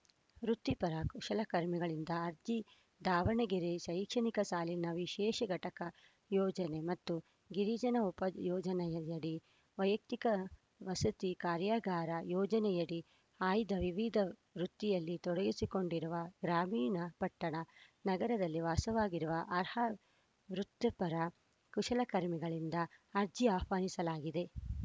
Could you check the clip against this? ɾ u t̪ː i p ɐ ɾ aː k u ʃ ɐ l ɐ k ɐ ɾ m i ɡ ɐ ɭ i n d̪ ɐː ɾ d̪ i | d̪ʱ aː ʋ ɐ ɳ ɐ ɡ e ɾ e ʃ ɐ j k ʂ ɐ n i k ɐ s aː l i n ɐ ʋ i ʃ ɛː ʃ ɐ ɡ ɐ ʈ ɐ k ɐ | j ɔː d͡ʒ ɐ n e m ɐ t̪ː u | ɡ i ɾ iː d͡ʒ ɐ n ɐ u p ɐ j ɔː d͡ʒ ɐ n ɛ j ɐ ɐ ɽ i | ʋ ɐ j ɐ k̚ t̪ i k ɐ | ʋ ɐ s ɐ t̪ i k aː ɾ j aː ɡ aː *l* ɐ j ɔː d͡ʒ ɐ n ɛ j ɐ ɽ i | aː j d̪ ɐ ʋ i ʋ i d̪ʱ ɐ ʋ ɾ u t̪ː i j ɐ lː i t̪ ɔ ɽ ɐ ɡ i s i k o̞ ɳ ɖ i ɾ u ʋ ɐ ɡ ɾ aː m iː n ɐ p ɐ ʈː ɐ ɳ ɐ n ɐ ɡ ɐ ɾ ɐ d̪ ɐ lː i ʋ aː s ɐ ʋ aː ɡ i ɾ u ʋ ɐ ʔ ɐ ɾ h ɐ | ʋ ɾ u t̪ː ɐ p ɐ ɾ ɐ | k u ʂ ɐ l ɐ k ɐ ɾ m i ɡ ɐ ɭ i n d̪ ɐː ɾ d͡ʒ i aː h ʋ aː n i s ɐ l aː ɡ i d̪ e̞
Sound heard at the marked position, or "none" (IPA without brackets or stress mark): ɾ